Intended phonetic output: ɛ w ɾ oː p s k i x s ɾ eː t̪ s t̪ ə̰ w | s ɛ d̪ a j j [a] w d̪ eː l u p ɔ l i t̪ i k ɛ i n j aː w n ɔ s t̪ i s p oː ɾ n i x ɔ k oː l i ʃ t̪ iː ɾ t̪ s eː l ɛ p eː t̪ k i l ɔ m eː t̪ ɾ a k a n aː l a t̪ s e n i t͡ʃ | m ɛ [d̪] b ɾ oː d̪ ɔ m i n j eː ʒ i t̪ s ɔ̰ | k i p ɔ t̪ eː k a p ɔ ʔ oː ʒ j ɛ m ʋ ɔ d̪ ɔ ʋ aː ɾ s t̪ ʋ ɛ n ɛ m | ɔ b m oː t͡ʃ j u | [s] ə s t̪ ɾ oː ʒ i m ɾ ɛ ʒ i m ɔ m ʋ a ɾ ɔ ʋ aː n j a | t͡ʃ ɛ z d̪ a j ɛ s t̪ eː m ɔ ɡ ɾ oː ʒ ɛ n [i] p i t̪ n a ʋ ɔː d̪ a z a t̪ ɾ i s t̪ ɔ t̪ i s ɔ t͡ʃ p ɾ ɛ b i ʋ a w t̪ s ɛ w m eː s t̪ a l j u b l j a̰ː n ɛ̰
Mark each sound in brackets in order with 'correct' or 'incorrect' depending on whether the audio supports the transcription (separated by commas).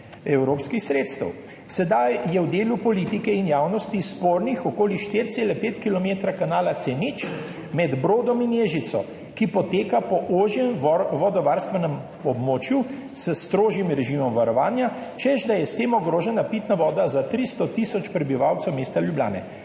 incorrect, correct, correct, incorrect